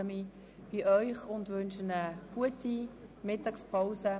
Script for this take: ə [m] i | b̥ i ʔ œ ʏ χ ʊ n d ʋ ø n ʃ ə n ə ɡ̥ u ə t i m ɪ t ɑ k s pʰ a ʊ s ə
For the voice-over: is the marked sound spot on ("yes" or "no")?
yes